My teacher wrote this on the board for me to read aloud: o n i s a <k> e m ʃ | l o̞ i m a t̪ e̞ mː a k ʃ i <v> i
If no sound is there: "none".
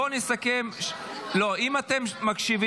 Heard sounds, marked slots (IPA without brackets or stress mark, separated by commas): k, v